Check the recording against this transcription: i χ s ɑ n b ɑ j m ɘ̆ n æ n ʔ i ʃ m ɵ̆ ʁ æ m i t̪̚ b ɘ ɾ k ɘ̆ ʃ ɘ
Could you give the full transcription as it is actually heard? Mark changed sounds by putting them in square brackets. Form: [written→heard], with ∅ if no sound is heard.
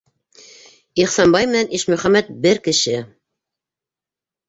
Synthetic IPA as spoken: i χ s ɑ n b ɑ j m ɘ̆ n æ n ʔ i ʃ m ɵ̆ [ʁ→χ] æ m [i→æ] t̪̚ b ɘ ɾ k ɘ̆ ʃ ɘ